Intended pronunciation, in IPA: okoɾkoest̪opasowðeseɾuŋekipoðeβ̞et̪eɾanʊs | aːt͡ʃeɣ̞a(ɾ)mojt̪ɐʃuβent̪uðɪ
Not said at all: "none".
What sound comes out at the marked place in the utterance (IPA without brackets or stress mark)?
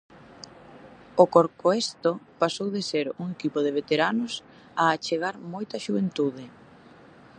ɾ